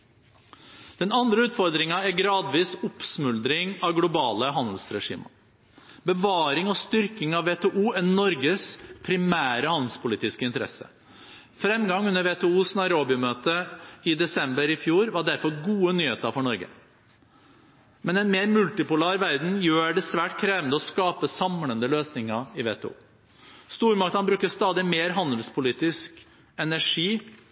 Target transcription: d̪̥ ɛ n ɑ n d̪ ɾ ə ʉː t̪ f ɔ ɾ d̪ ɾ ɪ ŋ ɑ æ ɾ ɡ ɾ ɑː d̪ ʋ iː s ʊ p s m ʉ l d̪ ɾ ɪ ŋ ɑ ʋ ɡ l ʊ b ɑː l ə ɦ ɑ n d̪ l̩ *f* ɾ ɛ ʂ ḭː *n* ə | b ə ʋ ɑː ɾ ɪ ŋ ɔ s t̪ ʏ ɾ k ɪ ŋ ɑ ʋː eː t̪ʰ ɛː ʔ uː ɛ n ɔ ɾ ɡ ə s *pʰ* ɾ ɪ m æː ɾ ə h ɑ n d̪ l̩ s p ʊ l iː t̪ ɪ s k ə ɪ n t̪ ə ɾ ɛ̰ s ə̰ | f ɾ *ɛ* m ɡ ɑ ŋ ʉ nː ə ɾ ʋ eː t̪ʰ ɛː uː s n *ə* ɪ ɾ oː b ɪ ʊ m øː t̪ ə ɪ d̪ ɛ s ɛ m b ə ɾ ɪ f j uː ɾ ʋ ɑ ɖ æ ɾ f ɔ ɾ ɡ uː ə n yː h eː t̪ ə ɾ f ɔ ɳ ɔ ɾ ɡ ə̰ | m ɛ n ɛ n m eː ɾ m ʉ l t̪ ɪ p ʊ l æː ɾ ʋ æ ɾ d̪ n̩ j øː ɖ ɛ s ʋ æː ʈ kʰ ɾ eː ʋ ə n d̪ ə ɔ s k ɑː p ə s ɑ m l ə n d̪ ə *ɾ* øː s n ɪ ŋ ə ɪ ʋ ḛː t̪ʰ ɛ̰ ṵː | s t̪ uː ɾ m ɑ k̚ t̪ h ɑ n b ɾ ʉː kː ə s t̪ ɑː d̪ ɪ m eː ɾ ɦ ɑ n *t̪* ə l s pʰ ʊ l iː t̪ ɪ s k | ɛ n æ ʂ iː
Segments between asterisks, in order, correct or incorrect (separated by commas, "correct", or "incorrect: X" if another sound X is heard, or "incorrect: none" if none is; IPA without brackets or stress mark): incorrect: s, incorrect: m, correct, correct, incorrect: ɑ, incorrect: l, incorrect: d̪